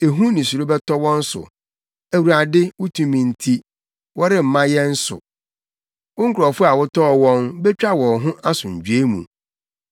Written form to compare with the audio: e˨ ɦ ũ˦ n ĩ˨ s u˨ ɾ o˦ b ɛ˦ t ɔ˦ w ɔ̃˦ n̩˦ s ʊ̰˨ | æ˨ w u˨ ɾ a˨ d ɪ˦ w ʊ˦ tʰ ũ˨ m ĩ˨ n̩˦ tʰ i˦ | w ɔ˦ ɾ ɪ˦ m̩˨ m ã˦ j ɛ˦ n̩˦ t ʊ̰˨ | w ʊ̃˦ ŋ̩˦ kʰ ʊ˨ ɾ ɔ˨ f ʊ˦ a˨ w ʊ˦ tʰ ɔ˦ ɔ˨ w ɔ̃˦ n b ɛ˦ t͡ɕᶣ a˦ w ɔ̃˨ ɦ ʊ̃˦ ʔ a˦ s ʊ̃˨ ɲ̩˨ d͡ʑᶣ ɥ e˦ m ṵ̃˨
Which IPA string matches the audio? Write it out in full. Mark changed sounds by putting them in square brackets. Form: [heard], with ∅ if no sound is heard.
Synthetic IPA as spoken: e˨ ɦ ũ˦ n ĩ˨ s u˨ ɾ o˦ b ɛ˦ t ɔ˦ w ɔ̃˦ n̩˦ s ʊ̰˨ | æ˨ w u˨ ɾ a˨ d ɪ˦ w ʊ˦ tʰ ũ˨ m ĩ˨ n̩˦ tʰ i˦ | w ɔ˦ ɾ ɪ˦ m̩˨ m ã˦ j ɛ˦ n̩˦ [s] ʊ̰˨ | w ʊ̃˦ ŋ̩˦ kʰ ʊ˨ ɾ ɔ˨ f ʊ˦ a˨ w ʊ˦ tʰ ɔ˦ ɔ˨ w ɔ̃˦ n b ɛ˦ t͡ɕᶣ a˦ w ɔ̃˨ ɦ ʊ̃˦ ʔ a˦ s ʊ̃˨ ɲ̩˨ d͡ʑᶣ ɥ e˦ m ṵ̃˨